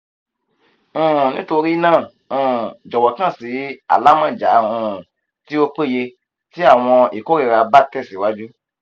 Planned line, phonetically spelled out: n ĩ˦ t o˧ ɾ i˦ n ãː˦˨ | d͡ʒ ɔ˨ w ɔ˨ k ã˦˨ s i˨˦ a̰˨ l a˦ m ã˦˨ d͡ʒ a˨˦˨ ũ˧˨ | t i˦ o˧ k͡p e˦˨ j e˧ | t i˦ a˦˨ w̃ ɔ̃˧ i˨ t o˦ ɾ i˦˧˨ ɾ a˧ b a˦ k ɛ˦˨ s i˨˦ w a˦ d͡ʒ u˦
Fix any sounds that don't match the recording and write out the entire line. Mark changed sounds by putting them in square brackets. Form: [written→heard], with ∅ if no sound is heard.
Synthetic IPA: n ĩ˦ t o˧ ɾ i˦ n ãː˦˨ | d͡ʒ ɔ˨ w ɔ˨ k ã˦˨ s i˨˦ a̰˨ l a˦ m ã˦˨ d͡ʒ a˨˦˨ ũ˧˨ | t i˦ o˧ k͡p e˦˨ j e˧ | t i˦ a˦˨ w̃ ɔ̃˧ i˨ [t→k] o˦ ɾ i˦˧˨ ɾ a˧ b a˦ [k→t] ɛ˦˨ s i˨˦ w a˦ d͡ʒ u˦